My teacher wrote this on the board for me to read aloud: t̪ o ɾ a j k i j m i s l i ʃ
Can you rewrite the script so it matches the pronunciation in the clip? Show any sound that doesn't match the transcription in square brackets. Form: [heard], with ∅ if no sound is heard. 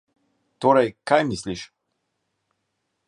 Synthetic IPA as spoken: t̪ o ɾ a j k [a] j m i s l i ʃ